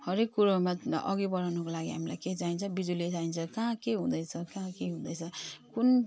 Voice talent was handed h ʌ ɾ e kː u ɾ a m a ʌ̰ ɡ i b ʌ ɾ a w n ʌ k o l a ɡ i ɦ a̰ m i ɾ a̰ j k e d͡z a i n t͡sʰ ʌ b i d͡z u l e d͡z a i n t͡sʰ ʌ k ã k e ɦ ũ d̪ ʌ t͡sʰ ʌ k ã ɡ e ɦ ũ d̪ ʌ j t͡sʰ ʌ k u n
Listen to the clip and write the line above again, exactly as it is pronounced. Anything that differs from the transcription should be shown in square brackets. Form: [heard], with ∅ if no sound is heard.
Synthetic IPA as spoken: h ʌ ɾ e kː u ɾ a m a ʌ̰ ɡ i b ʌ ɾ a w n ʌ k o l a ɡ i ɦ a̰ m i [l] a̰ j k e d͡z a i n t͡sʰ ʌ b i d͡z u l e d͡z a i n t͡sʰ ʌ k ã k e ɦ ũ d̪ ʌ t͡sʰ ʌ k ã [k] e ɦ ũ d̪ ʌ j t͡sʰ ʌ k u n